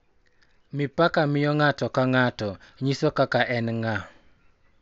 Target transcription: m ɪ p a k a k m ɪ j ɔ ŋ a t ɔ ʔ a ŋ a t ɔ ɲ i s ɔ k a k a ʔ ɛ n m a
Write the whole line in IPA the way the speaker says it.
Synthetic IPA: m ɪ p a k a m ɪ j ɔ ŋ a t ɔ k a ŋ a t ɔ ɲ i s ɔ k a k a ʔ ɛ n ŋ a